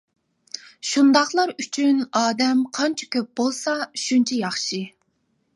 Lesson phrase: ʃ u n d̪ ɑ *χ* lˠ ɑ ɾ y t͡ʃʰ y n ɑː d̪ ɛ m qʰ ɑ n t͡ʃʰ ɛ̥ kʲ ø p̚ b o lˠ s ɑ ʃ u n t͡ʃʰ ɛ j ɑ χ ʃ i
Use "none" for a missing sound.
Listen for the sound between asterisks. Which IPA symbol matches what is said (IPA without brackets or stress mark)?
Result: χ